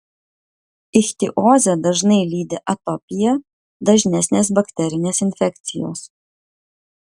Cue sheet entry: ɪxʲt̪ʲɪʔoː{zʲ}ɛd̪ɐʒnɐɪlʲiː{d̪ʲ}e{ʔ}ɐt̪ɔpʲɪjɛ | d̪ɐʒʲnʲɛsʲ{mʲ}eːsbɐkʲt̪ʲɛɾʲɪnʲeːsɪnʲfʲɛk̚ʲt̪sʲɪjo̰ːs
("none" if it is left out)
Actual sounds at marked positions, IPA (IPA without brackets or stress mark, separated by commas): zʲ, d̪ʲ, ʔ, nʲ